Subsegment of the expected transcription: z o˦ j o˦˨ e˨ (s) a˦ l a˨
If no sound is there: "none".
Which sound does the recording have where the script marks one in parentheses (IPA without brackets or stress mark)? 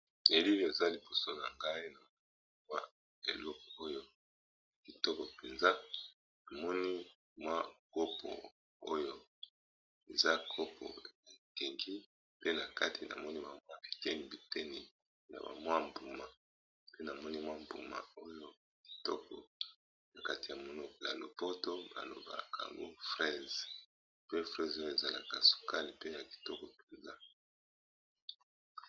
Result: z